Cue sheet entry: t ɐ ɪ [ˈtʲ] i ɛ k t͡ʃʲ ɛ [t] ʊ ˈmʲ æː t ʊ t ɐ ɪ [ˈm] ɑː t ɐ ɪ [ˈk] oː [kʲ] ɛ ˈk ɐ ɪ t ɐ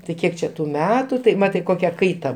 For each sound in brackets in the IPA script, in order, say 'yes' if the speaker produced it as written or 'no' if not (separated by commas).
no, yes, yes, yes, yes